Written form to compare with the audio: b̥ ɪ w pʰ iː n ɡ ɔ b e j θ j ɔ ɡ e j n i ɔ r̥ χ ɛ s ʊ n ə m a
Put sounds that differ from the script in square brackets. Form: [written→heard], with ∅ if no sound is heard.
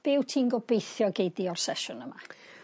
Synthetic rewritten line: b̥ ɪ w [pʰ→tʰ] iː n ɡ ɔ b e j θ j ɔ ɡ e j [n→d] i ɔ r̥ [χ→s] ɛ [s→ʃ] ʊ n ə m a